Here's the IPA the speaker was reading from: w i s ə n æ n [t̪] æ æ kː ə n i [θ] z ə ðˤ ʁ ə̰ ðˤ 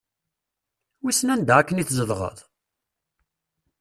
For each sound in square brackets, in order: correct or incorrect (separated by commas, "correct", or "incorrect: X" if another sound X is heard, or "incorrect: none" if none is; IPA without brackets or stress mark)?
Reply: incorrect: d̪, correct